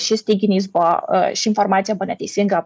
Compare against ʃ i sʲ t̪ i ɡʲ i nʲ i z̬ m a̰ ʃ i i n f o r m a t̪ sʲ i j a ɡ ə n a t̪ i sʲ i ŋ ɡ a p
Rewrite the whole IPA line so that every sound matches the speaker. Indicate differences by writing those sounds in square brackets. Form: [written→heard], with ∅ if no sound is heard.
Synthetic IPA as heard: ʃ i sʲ t̪ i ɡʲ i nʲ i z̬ [m→b] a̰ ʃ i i n f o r m a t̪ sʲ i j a [ɡ→b] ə n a t̪ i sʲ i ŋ ɡ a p